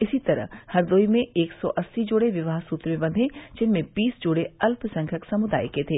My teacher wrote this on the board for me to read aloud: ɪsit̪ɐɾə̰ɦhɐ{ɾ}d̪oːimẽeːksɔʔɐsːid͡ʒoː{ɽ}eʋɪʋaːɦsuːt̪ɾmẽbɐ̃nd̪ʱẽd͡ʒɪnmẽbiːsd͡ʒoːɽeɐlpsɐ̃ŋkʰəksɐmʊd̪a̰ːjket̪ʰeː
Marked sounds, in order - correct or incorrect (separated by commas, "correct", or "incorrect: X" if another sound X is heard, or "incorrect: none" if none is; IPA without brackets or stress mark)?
correct, correct